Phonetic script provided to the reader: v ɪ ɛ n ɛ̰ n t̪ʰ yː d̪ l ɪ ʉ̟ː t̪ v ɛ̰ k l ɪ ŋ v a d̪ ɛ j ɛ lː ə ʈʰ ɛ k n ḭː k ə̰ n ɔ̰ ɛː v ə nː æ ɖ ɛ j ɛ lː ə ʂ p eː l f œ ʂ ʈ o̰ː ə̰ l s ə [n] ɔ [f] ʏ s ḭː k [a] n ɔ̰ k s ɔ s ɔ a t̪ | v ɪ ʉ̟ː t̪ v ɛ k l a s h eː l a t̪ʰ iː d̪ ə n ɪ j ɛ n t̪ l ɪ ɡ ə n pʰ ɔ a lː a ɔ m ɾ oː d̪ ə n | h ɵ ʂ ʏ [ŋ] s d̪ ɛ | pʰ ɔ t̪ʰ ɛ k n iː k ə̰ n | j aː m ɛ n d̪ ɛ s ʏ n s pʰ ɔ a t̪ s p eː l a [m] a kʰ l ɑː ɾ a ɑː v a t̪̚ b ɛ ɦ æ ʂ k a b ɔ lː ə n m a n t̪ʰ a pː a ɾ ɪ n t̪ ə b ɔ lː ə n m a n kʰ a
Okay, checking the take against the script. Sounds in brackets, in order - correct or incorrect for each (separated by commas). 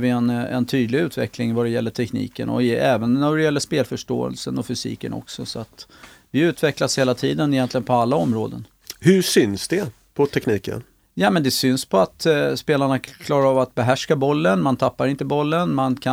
correct, correct, incorrect, incorrect, incorrect